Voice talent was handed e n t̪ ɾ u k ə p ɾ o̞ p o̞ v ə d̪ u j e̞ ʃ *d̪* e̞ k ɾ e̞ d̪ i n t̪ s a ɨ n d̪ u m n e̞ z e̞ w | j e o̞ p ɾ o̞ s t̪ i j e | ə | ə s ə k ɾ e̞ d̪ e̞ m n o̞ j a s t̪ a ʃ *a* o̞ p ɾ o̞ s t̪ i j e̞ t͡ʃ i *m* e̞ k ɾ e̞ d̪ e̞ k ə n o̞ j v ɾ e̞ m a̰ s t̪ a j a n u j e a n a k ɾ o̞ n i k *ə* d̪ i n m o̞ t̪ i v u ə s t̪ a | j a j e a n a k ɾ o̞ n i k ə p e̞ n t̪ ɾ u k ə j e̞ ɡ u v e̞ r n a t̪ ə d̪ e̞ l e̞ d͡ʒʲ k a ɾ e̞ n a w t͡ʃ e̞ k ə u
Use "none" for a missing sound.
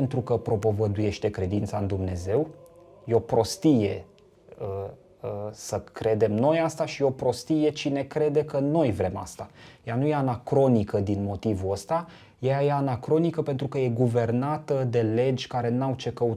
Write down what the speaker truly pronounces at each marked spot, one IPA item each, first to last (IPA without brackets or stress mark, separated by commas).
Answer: t̪, i, n, ə